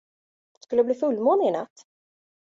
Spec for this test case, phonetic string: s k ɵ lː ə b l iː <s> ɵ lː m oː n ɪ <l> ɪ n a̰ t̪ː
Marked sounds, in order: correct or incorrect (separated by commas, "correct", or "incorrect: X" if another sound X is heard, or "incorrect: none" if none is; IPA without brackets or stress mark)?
incorrect: f, incorrect: none